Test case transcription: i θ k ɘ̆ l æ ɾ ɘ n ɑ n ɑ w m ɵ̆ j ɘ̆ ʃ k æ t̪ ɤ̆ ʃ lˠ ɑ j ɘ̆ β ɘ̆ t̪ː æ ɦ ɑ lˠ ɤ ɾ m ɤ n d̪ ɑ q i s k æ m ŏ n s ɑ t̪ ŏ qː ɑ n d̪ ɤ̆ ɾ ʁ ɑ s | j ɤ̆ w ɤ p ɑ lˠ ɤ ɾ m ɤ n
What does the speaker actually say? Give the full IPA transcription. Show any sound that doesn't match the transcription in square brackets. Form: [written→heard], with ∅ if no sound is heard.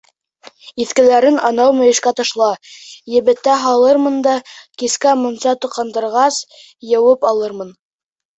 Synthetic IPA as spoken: i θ k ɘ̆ l æ ɾ ɘ n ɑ n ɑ w m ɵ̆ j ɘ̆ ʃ k æ t̪ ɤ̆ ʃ lˠ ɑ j ɘ̆ β ɘ̆ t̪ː æ ɦ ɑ lˠ ɤ ɾ m ɤ n d̪ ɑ [q→k] i s k æ m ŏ n s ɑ t̪ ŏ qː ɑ n d̪ ɤ̆ ɾ ʁ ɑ s | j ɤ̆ w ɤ p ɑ lˠ ɤ ɾ m ɤ n

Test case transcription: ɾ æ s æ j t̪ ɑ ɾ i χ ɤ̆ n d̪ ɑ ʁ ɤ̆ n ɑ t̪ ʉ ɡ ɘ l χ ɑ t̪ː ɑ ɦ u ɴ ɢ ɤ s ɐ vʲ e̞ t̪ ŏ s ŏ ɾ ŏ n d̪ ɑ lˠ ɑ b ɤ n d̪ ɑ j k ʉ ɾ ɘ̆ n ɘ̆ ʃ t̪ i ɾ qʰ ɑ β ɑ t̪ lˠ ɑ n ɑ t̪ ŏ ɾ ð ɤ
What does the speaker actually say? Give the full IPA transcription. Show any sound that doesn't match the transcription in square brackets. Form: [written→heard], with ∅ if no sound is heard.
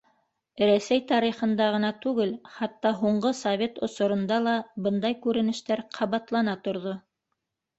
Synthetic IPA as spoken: ɾ æ s æ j t̪ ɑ ɾ i χ ɤ̆ n d̪ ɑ ʁ ɤ̆ n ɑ t̪ ʉ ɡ ɘ l χ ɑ t̪ː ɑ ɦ u ɴ ɢ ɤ s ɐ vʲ e̞ t̪ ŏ s ŏ ɾ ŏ n d̪ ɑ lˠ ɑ b ɤ n d̪ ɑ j k ʉ ɾ ɘ̆ n ɘ̆ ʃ t̪ [i→æ] ɾ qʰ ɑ β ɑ t̪ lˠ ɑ n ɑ t̪ ŏ ɾ ð [ɤ→o]

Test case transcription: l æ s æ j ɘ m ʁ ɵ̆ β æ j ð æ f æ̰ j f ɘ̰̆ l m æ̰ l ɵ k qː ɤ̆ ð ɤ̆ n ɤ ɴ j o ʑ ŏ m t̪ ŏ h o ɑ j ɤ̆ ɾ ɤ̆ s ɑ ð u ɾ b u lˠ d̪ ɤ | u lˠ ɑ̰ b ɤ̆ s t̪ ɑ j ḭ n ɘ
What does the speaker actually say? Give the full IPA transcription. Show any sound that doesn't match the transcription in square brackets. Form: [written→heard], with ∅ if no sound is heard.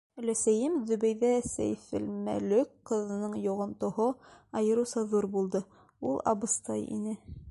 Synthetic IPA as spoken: l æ s æ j ɘ m [ʁ→ð] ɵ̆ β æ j ð æ [f→s] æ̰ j f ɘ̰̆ l m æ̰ l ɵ k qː ɤ̆ ð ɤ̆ n ɤ ɴ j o [ʑ→ʁ] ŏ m t̪ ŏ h o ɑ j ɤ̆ ɾ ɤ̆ s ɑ ð u ɾ b u lˠ d̪ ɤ | u lˠ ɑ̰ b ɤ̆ s t̪ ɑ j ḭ n ɘ

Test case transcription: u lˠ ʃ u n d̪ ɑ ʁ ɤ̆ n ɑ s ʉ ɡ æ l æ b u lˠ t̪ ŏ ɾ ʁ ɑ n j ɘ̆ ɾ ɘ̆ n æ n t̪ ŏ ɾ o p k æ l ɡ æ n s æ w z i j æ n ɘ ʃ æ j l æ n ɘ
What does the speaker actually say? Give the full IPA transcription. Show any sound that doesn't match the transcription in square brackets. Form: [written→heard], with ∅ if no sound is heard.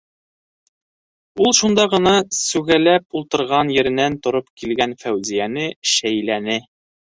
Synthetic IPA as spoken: u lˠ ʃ u n d̪ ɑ ʁ ɤ̆ n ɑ s ʉ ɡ æ l æ [b→p] u lˠ t̪ [ŏ→ɤ̆] ɾ ʁ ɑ n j ɘ̆ ɾ ɘ̆ n æ n t̪ ŏ ɾ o p k [æ→i] l ɡ æ n [s→f] æ w z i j æ n ɘ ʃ æ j l æ n ɘ

